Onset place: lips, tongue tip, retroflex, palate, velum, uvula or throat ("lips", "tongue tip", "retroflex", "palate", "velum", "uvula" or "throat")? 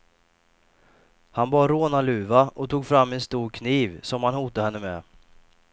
throat